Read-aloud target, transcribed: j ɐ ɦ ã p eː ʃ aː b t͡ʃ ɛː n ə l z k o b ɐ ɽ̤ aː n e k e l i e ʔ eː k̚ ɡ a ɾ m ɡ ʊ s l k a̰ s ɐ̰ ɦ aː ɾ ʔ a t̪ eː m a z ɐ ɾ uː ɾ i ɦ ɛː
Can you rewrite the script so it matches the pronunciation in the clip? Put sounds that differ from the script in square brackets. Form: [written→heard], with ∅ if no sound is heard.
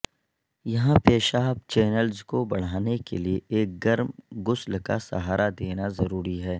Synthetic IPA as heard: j ɐ ɦ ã p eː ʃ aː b t͡ʃ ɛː n ə l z k o b ɐ ɽ̤ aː n e k e l i e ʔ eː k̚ ɡ [a→ɐ] ɾ m ɡ ʊ s l k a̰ s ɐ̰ ɦ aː ɾ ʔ a [t̪→d̪] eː [m→n] a z ɐ ɾ uː ɾ i ɦ ɛː

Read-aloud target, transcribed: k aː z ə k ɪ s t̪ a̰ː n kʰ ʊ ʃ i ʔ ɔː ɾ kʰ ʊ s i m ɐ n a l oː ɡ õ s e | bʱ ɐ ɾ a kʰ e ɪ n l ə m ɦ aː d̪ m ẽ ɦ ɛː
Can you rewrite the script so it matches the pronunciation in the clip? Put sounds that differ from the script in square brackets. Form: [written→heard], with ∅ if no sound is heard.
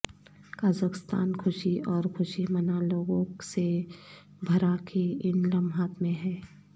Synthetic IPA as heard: k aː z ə k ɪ s t̪ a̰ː n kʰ ʊ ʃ i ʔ ɔː ɾ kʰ ʊ [s→ʃ] i m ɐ n a l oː ɡ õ s e | bʱ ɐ ɾ a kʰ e ɪ n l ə m ɦ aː [d̪→t̪] m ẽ ɦ ɛː

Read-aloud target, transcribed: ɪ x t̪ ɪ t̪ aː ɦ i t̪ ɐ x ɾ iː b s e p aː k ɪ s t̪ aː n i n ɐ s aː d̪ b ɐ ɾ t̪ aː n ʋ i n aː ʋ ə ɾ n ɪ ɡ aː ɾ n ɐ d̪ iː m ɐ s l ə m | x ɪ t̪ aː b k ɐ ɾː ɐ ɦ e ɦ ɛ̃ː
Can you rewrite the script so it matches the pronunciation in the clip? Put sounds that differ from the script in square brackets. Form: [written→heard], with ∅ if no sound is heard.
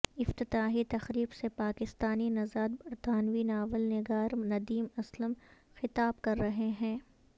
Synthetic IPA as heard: ɪ [x→f] t̪ ɪ t̪ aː ɦ i t̪ ɐ x ɾ iː b s e p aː k ɪ s t̪ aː n i n ɐ [s→z] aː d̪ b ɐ ɾ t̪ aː n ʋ i n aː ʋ ə [ɾ→l] n ɪ ɡ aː ɾ n ɐ d̪ iː m ɐ s l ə m | x ɪ t̪ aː b k ɐ ɾː ɐ ɦ e ɦ ɛ̃ː

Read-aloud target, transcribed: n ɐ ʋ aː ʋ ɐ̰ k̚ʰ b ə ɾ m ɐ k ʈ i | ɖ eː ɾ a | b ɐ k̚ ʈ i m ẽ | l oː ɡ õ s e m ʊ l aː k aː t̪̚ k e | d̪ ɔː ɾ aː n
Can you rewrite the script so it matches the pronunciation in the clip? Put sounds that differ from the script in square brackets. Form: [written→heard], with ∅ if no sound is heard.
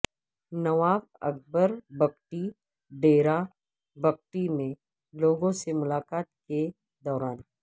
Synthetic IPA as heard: n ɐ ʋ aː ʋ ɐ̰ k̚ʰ b ə ɾ [m→b] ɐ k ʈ i | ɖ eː ɾ a | b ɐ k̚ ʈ i m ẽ | l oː ɡ õ s e m ʊ l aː k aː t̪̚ k e | d̪ ɔː ɾ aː n

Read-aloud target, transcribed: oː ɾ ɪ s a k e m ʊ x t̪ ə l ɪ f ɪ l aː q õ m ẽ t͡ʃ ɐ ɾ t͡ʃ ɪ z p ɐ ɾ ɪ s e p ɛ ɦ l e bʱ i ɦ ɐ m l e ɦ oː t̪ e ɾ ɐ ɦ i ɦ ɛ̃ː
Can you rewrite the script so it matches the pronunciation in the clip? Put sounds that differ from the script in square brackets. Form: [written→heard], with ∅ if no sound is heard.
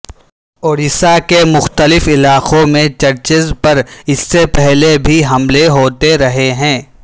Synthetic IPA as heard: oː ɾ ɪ s a k e m ʊ x t̪ ə l ɪ f ɪ l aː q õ m ẽ t͡ʃ ɐ ɾ t͡ʃ ɪ z p ɐ ɾ ɪ [s→sː] e p ɛ ɦ l e bʱ i ɦ ɐ m l e ɦ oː t̪ e ɾ ɐ ɦ [i→e] ɦ ɛ̃ː

